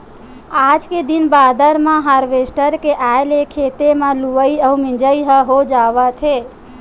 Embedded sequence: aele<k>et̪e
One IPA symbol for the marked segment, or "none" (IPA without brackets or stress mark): kʰ